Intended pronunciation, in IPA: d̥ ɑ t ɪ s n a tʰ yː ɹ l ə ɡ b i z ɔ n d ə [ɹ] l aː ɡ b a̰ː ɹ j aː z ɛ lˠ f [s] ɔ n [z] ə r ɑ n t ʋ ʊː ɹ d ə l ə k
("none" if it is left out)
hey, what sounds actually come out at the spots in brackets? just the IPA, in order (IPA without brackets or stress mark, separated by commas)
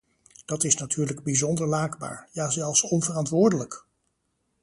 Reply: ɹ, s, v